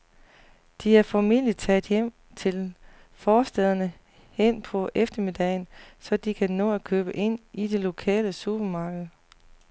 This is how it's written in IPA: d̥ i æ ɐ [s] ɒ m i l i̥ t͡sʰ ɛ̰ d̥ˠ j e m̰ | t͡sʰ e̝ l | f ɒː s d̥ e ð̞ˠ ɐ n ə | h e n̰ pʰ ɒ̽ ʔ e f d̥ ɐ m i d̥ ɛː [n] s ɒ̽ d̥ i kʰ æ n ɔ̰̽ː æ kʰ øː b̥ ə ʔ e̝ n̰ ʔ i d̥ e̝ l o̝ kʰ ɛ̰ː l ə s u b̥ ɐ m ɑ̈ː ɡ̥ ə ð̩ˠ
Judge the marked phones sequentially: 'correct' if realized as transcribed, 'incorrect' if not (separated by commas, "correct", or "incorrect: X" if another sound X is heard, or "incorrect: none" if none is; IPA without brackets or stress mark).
incorrect: f, correct